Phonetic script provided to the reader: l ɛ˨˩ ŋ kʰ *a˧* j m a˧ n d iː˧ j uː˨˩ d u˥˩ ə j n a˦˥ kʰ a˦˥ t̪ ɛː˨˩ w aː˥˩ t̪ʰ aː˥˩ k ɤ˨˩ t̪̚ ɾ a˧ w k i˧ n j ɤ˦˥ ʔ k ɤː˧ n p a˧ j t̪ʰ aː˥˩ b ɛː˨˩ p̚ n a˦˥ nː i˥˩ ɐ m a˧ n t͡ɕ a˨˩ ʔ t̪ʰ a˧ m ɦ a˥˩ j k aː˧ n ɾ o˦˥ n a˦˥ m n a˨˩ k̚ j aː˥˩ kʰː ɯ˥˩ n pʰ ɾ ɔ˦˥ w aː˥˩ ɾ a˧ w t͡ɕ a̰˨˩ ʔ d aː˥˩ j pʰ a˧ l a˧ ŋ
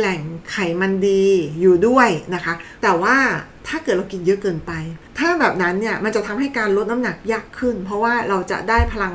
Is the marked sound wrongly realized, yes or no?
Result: yes